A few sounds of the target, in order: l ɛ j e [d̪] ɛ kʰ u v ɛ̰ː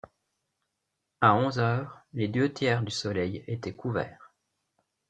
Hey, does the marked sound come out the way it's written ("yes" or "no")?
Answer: no